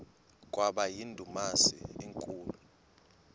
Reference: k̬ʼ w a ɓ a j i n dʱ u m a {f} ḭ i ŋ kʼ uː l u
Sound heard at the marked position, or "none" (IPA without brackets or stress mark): s